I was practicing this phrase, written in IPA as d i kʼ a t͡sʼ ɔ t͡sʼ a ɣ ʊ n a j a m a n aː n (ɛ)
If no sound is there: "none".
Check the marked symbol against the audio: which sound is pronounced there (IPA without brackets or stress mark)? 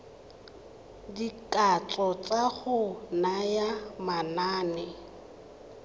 ɛ